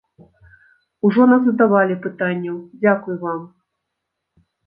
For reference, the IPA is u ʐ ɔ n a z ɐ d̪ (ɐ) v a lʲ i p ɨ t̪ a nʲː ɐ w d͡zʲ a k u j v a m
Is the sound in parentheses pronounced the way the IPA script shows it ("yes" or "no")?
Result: no